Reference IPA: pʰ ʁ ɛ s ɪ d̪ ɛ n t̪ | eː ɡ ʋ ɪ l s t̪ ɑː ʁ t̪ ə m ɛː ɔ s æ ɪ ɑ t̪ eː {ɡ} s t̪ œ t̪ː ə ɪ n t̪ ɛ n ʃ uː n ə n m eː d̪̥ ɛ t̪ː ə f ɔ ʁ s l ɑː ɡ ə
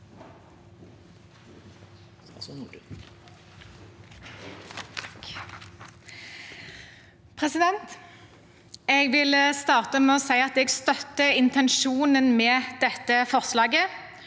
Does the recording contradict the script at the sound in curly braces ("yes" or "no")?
no